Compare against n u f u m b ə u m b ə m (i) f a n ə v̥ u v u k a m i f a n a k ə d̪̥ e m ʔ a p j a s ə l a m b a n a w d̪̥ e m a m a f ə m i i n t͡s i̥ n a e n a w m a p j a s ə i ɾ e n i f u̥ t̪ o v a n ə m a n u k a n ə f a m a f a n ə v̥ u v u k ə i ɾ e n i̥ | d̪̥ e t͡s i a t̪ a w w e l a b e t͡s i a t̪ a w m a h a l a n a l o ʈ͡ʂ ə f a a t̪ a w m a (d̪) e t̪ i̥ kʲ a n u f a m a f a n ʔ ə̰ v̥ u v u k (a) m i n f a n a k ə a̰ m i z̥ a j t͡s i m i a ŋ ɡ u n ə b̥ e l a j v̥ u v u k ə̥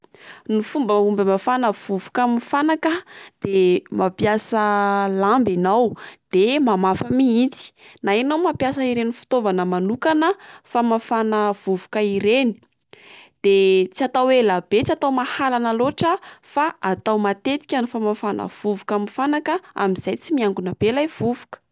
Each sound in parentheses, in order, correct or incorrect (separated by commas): incorrect, incorrect, correct